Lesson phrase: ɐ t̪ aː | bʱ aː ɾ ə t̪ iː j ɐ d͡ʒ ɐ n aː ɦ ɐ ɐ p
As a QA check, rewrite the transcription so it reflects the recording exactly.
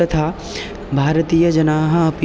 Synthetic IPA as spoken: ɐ t̪ʰ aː | bʱ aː ɾ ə t̪ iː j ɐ d͡ʒ ɐ n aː ɦ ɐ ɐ p